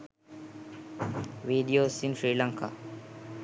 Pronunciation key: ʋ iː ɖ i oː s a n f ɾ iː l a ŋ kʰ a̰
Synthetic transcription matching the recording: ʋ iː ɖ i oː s i n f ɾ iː l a ŋ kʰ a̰